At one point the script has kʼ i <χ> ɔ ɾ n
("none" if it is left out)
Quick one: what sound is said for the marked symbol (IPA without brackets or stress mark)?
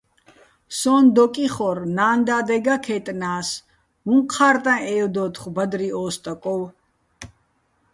χ